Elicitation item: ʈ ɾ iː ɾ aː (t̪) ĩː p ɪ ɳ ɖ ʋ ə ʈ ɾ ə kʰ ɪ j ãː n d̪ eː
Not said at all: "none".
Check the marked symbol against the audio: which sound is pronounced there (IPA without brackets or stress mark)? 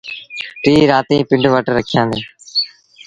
t̪